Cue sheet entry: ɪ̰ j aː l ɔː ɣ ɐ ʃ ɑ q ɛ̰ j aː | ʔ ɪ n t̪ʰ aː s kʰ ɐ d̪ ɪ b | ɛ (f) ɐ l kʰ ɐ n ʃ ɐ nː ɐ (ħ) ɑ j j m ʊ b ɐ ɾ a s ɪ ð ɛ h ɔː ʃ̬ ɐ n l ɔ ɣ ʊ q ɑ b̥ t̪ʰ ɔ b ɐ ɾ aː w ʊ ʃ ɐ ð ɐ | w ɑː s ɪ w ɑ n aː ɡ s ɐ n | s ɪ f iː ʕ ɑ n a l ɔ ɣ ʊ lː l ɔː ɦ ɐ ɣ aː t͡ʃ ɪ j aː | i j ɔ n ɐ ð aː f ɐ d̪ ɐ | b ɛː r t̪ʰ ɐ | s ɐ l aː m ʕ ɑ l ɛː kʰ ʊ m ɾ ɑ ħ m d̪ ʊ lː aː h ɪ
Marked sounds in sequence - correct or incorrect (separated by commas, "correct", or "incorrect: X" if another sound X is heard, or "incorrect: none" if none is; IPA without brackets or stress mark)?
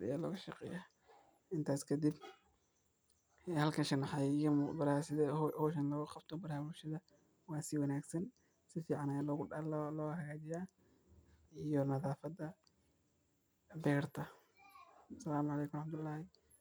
incorrect: h, correct